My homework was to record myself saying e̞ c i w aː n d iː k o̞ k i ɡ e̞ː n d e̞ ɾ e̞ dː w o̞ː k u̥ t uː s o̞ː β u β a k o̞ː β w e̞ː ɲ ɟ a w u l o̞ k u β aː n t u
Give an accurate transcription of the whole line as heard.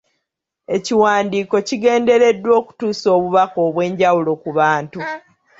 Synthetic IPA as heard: e̞ c i w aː n d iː k o̞ c i ɡ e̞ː n d e̞ ɾ e̞ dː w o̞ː k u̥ t uː s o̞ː β u β a k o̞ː β w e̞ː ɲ ɟ a w u l o̞ k u β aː n t u